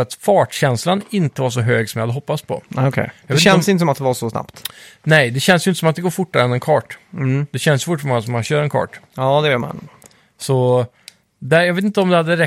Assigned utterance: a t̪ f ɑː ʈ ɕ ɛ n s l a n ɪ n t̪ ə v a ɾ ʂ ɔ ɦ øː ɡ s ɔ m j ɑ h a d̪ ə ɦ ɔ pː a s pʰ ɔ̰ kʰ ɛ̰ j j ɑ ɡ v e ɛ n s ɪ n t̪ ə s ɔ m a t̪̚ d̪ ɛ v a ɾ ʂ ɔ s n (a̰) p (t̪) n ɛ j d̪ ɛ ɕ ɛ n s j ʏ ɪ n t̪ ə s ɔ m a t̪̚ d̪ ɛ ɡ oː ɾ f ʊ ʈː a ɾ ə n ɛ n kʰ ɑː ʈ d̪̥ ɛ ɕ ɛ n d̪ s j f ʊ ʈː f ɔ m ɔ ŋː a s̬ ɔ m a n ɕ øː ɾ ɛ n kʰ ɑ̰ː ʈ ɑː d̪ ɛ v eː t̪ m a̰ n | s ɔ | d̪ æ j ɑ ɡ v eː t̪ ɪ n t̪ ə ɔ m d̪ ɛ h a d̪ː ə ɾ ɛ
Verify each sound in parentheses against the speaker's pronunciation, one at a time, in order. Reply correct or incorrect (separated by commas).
correct, correct